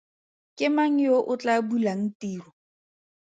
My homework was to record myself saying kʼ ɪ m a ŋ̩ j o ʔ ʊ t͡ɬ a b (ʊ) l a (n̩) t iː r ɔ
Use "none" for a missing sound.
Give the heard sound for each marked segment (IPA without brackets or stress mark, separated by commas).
u, ŋ̩